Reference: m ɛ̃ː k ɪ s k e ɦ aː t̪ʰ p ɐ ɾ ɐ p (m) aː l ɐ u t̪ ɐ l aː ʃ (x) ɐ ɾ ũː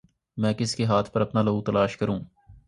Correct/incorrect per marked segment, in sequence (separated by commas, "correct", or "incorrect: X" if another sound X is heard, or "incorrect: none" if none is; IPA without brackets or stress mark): incorrect: n, incorrect: k